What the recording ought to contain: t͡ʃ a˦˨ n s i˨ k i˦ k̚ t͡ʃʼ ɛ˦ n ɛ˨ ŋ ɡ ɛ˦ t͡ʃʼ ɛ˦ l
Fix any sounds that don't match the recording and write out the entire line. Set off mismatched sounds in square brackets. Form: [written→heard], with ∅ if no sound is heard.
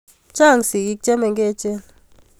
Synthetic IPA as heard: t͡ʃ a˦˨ [n→ŋ] s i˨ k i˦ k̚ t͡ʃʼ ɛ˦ [n→m] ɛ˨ ŋ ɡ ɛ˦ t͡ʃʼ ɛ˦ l